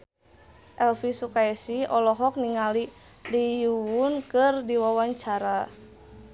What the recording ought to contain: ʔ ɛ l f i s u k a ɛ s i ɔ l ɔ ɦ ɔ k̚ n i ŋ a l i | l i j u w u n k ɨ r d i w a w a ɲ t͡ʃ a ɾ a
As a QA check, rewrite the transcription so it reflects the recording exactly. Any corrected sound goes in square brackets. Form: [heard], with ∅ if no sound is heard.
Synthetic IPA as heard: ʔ ɛ l f i s u k a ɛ s i ɔ l ɔ ɦ ɔ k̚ n i ŋ a l i | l i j u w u n k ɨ r d i w a w a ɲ t͡ʃ a ɾ a